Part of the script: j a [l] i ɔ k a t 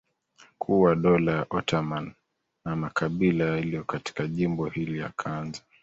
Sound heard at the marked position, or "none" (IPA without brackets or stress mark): l